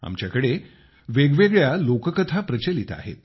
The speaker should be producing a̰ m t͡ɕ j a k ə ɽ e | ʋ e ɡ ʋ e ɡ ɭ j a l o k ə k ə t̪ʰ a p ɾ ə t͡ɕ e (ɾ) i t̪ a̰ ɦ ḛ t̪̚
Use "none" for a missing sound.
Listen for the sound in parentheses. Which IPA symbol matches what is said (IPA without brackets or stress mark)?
l